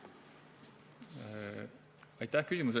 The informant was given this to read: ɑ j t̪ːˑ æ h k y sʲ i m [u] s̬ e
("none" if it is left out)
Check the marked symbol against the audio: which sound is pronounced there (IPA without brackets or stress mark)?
u